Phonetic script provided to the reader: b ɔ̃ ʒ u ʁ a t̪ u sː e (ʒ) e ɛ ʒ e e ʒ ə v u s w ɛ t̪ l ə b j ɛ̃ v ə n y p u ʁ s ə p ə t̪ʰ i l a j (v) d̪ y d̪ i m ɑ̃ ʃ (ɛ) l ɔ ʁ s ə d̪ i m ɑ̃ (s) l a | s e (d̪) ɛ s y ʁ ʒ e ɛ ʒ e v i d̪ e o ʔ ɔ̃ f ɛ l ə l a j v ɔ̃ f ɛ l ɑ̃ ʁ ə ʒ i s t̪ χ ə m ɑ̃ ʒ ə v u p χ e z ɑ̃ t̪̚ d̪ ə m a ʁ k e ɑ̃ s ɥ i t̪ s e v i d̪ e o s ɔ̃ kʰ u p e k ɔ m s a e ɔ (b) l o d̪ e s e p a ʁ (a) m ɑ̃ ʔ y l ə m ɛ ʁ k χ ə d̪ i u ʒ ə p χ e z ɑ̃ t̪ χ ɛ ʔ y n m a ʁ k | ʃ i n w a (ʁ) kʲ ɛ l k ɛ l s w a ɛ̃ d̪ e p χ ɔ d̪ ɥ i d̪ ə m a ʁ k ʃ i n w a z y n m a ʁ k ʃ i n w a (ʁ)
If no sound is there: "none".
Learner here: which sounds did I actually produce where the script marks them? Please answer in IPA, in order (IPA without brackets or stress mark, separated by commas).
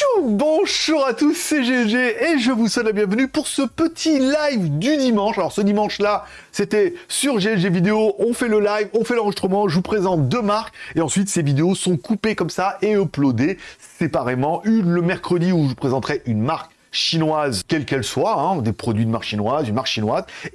ʒ, v, a, ʃ, t̪, p, e, z, z